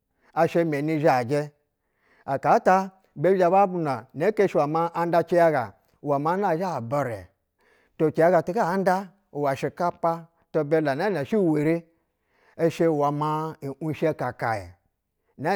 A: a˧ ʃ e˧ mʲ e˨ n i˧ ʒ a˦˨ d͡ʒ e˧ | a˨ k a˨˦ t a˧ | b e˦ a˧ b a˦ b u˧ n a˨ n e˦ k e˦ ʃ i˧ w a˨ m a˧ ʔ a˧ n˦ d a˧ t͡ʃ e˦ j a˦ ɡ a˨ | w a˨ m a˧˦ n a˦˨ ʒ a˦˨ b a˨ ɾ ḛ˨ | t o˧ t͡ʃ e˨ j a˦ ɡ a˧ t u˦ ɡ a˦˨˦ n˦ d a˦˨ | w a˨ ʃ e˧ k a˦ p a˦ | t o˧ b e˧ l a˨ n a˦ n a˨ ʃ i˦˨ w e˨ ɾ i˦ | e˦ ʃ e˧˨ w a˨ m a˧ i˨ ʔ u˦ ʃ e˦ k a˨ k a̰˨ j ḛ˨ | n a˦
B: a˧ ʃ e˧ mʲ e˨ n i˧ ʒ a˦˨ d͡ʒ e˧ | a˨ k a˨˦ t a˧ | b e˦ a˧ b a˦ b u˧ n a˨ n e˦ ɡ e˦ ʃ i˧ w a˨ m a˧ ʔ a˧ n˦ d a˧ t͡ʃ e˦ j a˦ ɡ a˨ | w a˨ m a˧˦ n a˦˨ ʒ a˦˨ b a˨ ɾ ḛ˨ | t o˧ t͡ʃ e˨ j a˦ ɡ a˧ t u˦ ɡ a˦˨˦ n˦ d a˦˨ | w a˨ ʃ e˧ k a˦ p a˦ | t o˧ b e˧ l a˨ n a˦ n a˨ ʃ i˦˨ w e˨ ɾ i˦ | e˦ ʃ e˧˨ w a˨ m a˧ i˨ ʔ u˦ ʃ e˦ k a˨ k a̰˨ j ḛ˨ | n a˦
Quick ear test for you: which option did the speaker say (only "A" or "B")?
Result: A